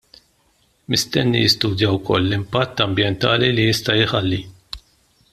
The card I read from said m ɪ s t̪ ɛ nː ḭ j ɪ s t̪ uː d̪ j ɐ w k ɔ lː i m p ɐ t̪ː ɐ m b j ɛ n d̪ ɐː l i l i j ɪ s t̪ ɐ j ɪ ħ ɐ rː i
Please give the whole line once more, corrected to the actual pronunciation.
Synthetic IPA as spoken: m ɪ s t̪ ɛ nː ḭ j ɪ s t̪ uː d̪ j ɐ w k ɔ lː ɪ m p ɐ t̪ː ɐ m b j ɛ n t̪ ɐː l i l i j ɪ s t̪ ɐ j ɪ ħ ɐ lː i